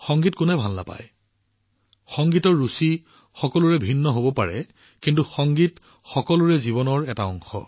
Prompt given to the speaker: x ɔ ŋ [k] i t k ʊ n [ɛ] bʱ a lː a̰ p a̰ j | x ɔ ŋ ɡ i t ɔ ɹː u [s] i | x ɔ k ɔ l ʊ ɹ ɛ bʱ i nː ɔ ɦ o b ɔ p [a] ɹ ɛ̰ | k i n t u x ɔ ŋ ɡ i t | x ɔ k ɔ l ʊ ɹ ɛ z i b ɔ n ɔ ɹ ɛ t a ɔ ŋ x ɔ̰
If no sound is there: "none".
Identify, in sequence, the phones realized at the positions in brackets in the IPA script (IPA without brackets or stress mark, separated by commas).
ɡ, ɛ, s, a